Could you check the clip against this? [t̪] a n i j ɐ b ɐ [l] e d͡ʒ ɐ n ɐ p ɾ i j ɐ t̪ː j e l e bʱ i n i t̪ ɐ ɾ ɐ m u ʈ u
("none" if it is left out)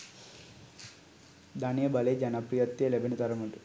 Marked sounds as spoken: d̪, l

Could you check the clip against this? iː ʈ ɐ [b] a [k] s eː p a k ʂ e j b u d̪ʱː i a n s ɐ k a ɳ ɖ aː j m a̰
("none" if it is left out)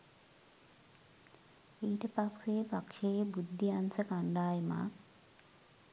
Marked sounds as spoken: p, k

